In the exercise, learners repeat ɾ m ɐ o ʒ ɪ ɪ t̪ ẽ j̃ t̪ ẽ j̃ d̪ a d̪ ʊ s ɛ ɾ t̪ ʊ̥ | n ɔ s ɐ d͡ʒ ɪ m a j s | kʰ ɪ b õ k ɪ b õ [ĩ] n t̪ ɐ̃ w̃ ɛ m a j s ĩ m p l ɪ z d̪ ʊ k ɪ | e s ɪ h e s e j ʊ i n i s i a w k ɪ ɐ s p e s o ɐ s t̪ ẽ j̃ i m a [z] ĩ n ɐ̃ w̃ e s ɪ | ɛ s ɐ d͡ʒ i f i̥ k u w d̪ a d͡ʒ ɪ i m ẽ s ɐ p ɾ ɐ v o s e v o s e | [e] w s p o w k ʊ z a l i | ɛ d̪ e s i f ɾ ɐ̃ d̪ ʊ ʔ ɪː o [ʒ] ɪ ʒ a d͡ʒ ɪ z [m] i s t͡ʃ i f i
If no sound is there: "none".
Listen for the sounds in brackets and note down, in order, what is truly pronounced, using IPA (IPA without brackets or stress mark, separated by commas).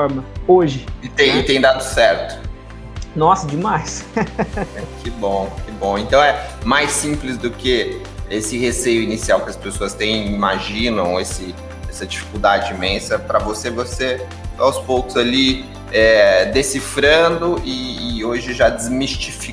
ẽ, ʒ, a, ʒ, m